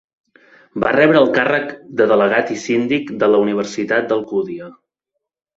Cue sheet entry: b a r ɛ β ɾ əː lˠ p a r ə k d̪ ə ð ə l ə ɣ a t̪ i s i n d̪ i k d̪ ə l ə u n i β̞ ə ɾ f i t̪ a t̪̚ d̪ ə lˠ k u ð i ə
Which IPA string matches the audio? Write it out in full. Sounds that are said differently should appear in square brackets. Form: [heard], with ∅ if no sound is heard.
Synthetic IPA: b a r ɛ β ɾ əː lˠ [k] a r ə k d̪ ə ð ə l ə ɣ a t̪ i s i n d̪ i k d̪ ə l ə u n i β̞ ə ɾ [s] i t̪ a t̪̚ d̪ ə lˠ k u ð i ə